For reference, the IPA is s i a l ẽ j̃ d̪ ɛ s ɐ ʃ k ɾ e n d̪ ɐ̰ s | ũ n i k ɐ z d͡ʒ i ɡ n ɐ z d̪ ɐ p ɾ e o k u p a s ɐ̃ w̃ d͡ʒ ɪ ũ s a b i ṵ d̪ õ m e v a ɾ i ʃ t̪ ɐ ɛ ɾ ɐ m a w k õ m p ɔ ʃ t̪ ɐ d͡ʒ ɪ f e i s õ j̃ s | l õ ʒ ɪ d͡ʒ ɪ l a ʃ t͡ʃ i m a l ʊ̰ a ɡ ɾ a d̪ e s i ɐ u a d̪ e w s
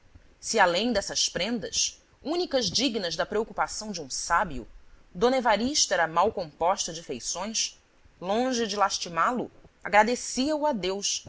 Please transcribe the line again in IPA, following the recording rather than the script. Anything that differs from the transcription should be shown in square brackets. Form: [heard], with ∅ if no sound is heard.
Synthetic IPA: s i a l ẽ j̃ d̪ ɛ s ɐ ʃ [p] ɾ [ẽ] n d̪ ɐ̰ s | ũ n i k ɐ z d͡ʒ i ɡ n ɐ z d̪ ɐ p ɾ e o k u p a s ɐ̃ w̃ d͡ʒ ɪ ũ s a b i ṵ d̪ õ [n] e v a ɾ i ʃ t̪ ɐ ɛ ɾ ɐ m a w k õ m p ɔ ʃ t̪ ɐ d͡ʒ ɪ f e [j] s õ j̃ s | l õ ʒ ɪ d͡ʒ ɪ l a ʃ t͡ʃ i m a l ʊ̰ a ɡ ɾ a d̪ e s i ɐ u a d̪ e w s